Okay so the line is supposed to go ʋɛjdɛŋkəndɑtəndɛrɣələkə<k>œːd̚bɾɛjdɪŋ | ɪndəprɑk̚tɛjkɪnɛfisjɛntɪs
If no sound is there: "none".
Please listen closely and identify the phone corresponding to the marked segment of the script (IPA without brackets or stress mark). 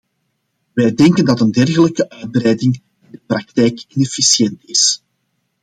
ʔ